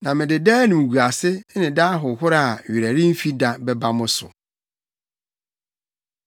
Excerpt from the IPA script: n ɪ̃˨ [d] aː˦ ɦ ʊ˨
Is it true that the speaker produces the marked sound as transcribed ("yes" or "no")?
yes